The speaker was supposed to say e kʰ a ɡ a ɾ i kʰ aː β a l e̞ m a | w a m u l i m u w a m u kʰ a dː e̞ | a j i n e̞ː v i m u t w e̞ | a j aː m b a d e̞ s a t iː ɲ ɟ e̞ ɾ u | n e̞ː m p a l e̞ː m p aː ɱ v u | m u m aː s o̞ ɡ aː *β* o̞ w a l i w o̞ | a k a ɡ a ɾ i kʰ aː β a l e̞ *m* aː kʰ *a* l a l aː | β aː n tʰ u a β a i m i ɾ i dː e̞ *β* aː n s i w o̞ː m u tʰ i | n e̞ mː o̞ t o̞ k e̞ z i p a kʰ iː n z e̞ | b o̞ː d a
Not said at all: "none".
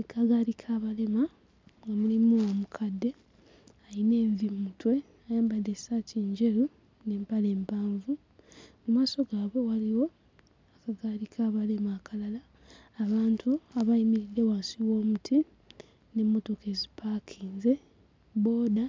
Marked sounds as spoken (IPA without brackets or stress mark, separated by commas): β, m, a, w